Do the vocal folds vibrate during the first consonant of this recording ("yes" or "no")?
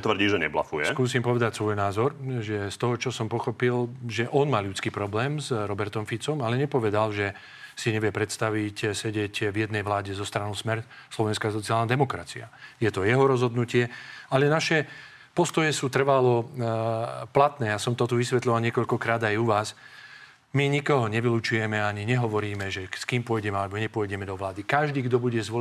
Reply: no